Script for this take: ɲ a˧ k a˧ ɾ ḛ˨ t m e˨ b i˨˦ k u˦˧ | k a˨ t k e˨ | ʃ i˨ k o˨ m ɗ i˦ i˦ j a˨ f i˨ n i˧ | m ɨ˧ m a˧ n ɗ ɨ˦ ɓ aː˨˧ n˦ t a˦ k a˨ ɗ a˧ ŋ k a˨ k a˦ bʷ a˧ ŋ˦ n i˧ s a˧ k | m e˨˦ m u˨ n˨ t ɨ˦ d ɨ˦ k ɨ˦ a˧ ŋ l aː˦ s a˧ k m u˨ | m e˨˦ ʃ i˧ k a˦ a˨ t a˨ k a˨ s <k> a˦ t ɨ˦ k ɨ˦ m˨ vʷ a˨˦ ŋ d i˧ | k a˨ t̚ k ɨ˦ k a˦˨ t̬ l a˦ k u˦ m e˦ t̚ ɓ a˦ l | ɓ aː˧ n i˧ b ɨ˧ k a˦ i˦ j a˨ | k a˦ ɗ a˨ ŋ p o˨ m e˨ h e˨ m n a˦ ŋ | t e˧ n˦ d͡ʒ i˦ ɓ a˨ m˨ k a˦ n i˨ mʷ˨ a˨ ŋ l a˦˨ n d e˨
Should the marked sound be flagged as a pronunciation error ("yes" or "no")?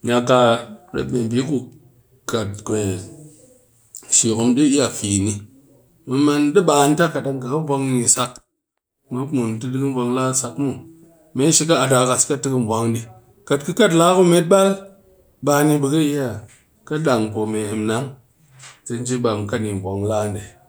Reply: no